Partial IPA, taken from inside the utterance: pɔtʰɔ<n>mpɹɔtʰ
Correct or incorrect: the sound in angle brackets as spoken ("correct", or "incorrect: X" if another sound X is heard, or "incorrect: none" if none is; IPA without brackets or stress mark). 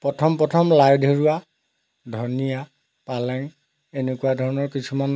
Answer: incorrect: none